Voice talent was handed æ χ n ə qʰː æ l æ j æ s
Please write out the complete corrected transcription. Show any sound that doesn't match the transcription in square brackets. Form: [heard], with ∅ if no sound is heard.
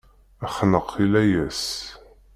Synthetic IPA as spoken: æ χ n ə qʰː [i] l æ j æ s